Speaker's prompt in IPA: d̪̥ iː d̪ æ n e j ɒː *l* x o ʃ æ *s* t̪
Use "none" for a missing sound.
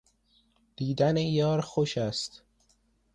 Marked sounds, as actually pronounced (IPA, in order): ɾ, s

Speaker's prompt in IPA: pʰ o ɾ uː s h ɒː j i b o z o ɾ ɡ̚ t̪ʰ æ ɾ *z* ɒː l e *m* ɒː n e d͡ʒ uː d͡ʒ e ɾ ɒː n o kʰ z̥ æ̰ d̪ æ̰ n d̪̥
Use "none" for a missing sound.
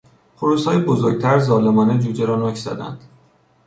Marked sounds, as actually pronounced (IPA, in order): z, m

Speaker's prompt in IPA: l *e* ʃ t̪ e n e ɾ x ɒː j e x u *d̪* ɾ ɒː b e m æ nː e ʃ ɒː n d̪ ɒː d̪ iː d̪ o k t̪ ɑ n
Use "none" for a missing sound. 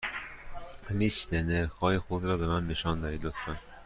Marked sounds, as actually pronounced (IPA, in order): i, d̪

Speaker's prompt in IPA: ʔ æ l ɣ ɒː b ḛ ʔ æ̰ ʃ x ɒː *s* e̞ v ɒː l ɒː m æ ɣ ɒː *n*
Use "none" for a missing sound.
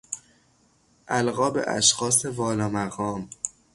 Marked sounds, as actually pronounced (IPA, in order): s, m

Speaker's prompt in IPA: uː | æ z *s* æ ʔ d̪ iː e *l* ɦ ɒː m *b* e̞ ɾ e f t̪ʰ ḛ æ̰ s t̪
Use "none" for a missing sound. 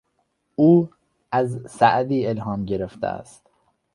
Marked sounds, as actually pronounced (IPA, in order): s, l, ɟ

